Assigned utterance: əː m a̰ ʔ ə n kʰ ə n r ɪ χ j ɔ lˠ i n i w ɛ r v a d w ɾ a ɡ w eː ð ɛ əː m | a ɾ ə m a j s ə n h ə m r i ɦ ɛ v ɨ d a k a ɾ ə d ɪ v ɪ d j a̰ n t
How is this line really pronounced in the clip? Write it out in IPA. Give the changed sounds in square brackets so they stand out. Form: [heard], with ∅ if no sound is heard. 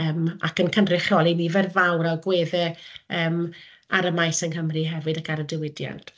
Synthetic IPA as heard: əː m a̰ [k] ə n kʰ ə n r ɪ χ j ɔ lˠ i n i [v] ɛ r v a [∅] w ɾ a ɡ w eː ð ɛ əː m | a ɾ ə m a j s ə n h ə m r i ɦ ɛ v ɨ d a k a ɾ ə d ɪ [w] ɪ d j a̰ n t

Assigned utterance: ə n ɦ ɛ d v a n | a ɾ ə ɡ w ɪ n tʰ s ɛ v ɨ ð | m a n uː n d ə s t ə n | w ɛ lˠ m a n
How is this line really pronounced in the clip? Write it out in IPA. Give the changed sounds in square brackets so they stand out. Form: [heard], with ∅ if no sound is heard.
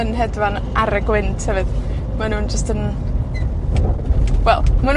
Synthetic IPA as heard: ə n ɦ ɛ d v a n | a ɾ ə ɡ w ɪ n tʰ [h] ɛ v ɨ ð | m a n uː n [d͡ʒ] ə s t ə n | w ɛ lˠ m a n

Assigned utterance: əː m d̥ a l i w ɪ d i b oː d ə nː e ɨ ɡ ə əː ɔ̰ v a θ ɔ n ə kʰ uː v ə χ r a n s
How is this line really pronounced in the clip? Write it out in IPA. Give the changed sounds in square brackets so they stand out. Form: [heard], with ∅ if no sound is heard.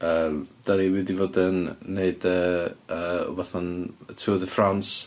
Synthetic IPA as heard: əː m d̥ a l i w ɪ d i [v] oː d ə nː e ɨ [d] ə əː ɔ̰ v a θ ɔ n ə [tʰ] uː [ð] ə [f] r a n s

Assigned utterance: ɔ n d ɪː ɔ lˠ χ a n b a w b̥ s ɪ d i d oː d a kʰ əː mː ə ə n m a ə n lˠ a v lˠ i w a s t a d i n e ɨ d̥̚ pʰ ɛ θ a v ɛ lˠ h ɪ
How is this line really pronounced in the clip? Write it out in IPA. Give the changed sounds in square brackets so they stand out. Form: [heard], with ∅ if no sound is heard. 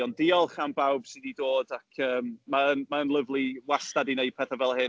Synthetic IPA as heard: ɔ n d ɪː ɔ lˠ χ a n b a w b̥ s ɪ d i d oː d a kʰ əː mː [a] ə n m a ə n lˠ [ə] v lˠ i w a s t a d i n e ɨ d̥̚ pʰ ɛ θ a v ɛ lˠ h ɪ

